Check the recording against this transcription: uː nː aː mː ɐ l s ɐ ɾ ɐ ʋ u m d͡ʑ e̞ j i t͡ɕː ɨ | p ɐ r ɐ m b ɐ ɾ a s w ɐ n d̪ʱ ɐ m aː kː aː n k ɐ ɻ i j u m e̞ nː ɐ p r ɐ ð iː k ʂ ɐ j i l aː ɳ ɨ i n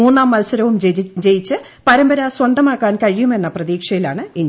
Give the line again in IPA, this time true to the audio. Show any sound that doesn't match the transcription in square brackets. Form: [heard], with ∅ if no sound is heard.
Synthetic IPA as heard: uː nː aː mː ɐ l s ɐ ɾ ɐ ʋ u m d͡ʑ e̞ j i t͡ɕː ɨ | p ɐ [ɾ] ɐ m b ɐ ɾ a s w ɐ n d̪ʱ ɐ m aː kː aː n k ɐ ɻ i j u m e̞ nː ɐ p r ɐ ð iː k ʂ ɐ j i l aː ɳ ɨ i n